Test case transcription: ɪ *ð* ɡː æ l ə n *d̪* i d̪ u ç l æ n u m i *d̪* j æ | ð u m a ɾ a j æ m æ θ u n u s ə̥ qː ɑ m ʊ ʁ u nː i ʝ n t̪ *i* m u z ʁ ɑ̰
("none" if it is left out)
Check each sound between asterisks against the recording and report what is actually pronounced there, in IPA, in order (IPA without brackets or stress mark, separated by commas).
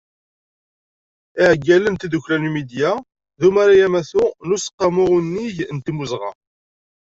ʕ, t̪, d̪, i